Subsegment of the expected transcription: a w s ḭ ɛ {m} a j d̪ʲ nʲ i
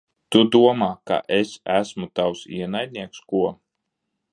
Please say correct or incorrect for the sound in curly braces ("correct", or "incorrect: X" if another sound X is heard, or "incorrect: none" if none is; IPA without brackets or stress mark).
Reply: incorrect: n